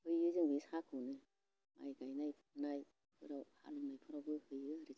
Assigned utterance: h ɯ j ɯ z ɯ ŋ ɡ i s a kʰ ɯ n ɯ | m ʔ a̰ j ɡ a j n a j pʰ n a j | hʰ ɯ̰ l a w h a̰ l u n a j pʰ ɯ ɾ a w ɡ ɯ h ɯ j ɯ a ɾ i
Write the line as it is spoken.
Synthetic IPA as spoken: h ɯ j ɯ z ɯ ŋ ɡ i s a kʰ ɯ n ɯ | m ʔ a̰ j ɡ a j n a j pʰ n a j | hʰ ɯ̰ ɾ a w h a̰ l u n a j pʰ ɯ ɾ a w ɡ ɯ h ɯ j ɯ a ɾ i